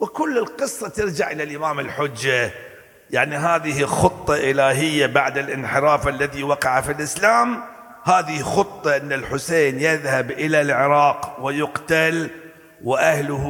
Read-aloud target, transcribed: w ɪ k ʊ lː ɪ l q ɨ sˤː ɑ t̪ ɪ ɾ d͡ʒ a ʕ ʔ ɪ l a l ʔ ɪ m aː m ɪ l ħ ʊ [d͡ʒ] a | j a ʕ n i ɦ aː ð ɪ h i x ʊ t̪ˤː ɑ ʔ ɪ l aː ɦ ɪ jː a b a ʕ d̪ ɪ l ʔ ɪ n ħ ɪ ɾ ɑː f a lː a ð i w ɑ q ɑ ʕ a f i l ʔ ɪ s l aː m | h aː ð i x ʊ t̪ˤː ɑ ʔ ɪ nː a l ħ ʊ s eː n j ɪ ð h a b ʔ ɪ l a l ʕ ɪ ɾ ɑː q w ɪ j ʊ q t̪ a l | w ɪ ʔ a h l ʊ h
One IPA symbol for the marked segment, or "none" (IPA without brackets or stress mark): d͡ʒː